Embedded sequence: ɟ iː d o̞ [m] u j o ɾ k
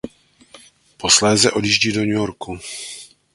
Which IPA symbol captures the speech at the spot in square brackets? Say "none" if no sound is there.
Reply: ɲ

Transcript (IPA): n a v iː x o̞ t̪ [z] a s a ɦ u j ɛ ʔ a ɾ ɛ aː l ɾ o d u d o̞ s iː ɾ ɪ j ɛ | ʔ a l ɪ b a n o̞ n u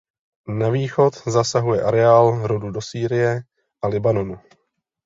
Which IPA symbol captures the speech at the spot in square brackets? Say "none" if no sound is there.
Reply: z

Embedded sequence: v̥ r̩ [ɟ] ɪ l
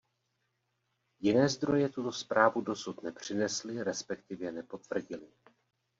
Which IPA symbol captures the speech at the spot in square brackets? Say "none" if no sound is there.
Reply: ɟ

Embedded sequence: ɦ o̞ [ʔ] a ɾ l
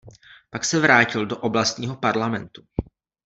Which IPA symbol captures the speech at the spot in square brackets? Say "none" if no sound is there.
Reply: p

